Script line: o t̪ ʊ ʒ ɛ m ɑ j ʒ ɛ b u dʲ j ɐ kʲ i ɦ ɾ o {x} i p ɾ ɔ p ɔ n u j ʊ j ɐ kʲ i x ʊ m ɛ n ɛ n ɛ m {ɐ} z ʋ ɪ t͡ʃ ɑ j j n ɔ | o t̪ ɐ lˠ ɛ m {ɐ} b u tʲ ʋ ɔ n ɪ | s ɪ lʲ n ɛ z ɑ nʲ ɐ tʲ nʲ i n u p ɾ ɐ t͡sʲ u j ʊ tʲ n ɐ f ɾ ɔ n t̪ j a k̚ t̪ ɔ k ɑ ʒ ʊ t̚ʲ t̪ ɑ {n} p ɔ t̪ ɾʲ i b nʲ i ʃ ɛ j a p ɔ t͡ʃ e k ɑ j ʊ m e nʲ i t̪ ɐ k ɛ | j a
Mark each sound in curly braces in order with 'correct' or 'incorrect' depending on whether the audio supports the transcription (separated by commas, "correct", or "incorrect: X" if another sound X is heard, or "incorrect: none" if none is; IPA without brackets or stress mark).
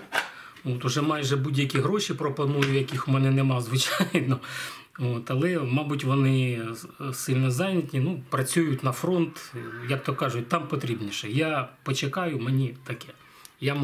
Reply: incorrect: ʃ, incorrect: ɑ, incorrect: ɑ, incorrect: m